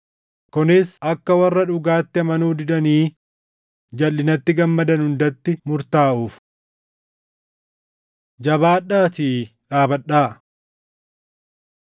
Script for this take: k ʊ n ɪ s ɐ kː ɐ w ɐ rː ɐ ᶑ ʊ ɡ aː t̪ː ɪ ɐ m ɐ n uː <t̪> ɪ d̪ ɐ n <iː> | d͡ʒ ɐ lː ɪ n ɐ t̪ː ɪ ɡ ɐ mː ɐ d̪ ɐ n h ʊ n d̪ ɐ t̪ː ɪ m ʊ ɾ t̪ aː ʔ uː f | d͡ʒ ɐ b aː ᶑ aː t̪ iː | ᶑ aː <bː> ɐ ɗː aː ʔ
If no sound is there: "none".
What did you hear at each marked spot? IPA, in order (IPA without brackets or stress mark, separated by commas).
d̪, iː, b